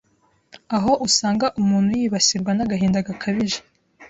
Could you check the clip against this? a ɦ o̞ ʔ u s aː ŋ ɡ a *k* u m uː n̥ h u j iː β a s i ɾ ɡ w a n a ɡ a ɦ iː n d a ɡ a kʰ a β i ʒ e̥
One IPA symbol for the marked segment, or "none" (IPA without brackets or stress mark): ʔ